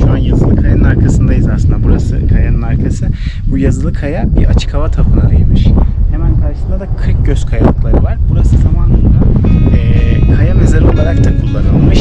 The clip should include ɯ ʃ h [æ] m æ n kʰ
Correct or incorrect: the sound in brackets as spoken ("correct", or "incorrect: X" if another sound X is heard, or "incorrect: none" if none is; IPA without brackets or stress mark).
incorrect: e